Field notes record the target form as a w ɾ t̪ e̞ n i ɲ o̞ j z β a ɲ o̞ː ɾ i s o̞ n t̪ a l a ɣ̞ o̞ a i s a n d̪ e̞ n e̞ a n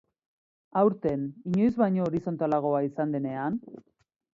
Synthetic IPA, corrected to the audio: a w ɾ t̪ e̞ n i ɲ o̞ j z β a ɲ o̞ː ɾ i s o̞ n t̪ a l a ɣ̞ o̞ a i s a n d̪ e̞ n e̞ a n